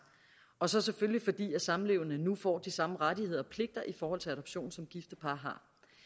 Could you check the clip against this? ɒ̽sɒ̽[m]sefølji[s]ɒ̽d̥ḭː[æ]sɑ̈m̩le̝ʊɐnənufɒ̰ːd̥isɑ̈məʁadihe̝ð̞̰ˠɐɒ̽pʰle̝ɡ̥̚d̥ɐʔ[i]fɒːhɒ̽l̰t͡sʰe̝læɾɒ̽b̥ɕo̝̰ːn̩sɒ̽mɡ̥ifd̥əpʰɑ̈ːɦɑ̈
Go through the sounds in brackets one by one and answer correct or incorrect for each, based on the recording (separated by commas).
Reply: incorrect, incorrect, correct, correct